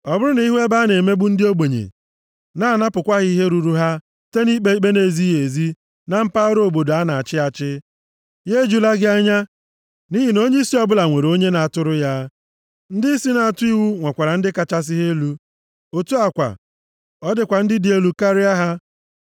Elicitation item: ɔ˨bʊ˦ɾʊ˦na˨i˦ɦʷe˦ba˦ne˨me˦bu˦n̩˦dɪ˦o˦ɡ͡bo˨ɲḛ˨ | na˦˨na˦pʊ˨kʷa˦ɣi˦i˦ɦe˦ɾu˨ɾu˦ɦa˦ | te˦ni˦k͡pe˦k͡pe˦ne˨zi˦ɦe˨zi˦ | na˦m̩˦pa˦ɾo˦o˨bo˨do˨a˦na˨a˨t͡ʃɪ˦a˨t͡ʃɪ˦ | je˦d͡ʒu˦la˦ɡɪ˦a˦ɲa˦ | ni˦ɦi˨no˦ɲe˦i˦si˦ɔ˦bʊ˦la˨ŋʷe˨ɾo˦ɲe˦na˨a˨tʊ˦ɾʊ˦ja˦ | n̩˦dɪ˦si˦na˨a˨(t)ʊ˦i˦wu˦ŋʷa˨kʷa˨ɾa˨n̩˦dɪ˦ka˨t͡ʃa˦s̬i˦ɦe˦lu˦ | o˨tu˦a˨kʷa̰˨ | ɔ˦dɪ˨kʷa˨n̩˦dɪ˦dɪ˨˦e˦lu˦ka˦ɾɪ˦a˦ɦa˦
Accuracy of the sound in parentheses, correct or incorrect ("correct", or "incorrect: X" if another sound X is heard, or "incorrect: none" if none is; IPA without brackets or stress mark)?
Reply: correct